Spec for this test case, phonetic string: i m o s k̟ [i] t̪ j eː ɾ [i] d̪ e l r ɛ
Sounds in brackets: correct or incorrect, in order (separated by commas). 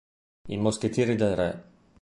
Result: incorrect, correct